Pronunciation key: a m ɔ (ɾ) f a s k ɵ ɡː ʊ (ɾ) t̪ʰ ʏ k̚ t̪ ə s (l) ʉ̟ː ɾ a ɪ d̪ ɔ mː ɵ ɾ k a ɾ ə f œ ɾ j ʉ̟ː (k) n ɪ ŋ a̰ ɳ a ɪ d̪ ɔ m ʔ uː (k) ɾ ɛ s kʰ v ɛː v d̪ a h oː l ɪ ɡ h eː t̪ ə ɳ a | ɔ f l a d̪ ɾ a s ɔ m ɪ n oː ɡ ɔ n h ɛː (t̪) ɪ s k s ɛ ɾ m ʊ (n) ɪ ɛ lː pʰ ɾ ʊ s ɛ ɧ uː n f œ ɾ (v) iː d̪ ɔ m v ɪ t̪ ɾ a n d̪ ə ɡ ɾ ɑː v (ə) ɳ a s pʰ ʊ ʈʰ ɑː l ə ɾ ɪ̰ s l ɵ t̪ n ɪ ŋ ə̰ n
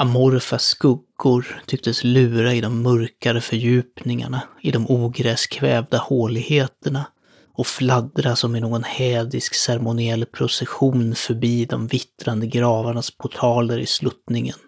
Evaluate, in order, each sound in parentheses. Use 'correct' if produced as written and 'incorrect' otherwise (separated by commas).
correct, correct, correct, incorrect, incorrect, incorrect, correct, incorrect, incorrect